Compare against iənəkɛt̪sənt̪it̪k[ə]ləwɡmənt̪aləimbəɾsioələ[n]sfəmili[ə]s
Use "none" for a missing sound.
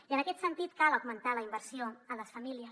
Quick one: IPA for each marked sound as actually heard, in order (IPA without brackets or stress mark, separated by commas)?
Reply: a, none, ə